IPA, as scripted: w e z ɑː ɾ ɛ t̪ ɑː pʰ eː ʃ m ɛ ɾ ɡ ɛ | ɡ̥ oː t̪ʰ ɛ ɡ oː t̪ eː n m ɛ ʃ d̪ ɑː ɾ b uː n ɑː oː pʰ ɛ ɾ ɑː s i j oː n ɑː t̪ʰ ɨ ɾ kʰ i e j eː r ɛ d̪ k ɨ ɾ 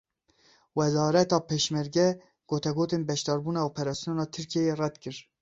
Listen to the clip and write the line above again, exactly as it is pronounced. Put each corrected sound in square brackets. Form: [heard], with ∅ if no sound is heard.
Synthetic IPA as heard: w [ɛ] z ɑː ɾ ɛ t̪ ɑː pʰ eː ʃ m ɛ ɾ ɡ ɛ | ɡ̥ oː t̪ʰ ɛ ɡ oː t̪ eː n [b] ɛ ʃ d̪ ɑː ɾ b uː n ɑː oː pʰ ɛ ɾ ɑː s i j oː n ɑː t̪ʰ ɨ ɾ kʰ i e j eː r ɛ d̪ k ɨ ɾ